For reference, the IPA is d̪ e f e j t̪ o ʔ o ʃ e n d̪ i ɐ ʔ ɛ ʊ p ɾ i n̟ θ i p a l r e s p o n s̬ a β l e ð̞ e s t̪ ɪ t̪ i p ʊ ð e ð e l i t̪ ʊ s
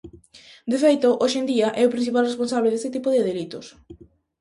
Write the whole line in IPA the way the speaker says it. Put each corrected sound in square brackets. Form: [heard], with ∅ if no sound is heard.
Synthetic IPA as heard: d̪ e f e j t̪ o ʔ o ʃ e n d̪ i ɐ ʔ ɛ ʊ p ɾ i n̟ θ i p a l r e s p o n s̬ a β l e ð̞ e s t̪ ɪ t̪ i p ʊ ð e ð e l i t̪ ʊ s